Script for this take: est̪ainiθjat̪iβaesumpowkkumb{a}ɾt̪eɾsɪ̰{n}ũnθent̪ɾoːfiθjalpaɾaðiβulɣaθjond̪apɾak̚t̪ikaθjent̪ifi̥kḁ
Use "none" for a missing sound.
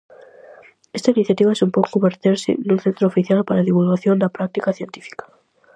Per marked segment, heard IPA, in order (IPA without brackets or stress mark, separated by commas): e, n